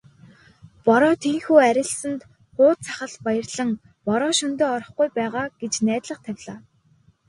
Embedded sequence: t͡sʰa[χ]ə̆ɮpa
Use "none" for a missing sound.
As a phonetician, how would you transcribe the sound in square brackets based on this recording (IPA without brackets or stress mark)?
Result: χ